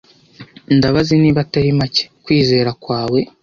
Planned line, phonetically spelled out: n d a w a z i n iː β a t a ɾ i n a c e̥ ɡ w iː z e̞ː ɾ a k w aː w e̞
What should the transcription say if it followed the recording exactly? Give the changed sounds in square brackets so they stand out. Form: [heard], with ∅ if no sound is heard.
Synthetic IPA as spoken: n d a [β] a z i n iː β a t a ɾ i [m] a c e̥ [k] w iː z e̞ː ɾ a k w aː w e̞